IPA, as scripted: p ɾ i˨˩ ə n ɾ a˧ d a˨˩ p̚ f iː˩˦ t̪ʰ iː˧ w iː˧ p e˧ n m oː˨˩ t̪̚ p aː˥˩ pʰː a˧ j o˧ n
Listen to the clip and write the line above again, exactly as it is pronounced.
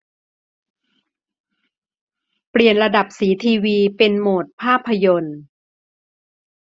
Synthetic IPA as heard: p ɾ i˨˩ ə n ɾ a˧ d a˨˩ p̚ s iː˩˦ t̪ʰ iː˧ w iː˧ p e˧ n m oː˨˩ t̪̚ pʰ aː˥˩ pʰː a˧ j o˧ n